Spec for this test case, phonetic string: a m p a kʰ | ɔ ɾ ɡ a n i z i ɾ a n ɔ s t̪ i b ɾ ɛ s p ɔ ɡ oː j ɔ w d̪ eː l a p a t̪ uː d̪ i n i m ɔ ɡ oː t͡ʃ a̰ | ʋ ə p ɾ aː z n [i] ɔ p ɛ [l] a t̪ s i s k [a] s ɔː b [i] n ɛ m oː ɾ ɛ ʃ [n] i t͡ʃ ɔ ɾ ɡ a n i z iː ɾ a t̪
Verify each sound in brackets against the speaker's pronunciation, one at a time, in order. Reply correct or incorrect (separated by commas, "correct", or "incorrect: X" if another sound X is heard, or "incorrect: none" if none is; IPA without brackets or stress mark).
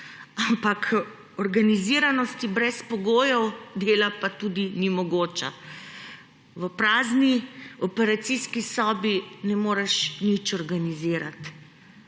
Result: correct, incorrect: ɾ, incorrect: i, correct, correct